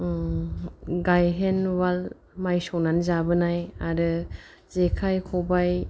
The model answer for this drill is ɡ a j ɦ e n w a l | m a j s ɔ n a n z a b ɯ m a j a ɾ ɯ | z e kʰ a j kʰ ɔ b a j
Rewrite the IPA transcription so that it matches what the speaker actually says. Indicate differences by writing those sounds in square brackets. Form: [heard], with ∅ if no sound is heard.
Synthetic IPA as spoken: ɡ a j ɦ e n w a l | m a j s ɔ n a n z a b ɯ [n] a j a ɾ ɯ | z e kʰ a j kʰ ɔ b a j